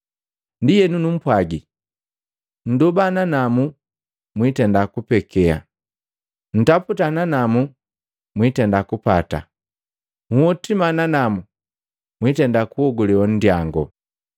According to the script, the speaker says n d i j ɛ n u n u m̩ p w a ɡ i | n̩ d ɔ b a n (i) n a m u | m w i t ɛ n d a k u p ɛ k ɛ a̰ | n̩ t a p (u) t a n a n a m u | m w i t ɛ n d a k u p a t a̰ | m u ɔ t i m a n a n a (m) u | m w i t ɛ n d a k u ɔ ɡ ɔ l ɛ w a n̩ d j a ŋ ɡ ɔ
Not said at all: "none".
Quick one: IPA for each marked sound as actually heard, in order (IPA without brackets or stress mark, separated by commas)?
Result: a, u, m